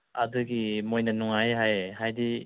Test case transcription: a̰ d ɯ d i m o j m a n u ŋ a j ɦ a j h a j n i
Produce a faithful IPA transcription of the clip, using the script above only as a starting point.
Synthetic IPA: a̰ d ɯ ɡ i m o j n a n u ŋ a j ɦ a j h a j d i